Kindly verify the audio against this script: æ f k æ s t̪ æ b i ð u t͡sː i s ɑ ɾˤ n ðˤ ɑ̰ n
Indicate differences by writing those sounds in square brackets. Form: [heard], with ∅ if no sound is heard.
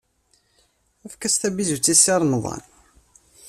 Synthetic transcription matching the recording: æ f k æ s t̪ æ b i [z] u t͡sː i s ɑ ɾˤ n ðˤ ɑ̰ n